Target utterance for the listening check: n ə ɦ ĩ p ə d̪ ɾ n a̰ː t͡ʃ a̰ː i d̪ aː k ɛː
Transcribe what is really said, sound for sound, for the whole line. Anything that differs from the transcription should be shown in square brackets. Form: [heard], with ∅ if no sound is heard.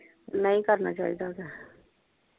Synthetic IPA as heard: n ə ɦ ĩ [k] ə [∅] ɾ n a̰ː t͡ʃ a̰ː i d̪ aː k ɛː